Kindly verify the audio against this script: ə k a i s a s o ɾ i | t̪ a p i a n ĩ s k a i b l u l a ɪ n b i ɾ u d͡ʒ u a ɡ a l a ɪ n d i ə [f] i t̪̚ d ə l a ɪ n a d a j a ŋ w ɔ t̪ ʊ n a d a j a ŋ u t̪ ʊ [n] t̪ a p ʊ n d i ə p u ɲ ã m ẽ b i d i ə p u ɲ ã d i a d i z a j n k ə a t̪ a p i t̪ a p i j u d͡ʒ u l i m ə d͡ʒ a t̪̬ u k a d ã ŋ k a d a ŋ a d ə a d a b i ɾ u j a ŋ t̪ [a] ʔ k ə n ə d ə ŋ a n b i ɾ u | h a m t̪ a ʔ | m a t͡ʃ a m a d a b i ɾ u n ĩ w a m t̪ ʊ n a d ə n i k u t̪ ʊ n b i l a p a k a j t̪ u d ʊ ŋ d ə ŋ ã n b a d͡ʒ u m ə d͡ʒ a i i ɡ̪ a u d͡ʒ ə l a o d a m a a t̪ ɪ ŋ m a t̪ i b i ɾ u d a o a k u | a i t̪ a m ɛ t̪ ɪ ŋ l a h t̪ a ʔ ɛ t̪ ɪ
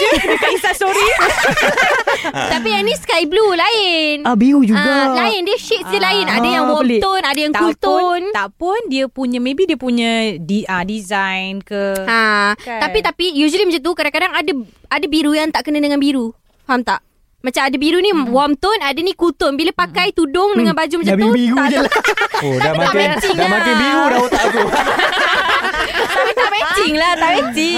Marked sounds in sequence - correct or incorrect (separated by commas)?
incorrect, correct, correct